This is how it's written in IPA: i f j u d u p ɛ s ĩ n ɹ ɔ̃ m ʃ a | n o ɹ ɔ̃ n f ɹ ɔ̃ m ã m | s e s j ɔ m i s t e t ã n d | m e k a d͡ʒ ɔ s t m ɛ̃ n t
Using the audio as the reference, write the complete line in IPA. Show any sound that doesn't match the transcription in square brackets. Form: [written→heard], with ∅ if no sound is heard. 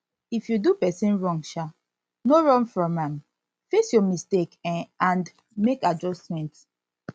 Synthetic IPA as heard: i f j u d u p ɛ s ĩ n ɹ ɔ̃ [m→ŋ] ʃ a | n o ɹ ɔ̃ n f ɹ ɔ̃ m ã m | [s→f] e s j ɔ m i s t e [t→k] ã n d | m e k a d͡ʒ ɔ s t m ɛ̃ n t